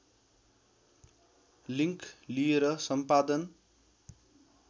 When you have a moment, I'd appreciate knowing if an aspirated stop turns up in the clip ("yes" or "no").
no